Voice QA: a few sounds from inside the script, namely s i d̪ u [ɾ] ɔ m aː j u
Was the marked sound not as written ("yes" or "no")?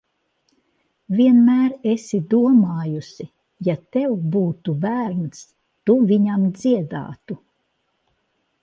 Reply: yes